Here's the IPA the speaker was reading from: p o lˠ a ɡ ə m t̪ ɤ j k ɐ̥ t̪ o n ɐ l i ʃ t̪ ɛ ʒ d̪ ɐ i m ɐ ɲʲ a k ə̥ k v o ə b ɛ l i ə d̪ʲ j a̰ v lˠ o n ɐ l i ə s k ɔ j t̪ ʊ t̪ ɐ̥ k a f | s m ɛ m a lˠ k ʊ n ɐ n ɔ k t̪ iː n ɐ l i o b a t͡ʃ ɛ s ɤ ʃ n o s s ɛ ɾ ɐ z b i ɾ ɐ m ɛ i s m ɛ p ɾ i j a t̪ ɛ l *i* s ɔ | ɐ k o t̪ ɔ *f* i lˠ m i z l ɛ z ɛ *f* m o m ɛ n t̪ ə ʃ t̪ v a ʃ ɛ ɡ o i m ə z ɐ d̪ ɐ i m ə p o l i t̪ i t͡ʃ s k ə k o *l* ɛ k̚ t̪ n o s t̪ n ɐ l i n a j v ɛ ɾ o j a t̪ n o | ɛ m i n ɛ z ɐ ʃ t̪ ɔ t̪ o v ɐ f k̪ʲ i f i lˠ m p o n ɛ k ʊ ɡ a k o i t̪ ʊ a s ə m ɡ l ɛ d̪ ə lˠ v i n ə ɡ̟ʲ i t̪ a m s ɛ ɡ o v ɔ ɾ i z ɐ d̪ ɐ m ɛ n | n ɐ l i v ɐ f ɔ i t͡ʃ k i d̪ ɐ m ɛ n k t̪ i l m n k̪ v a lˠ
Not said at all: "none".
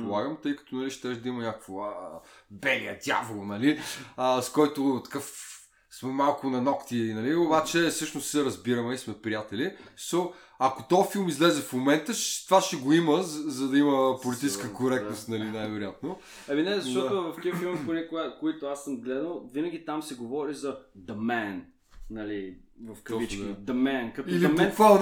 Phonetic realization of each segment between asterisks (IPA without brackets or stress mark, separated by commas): i, f, f, ɾ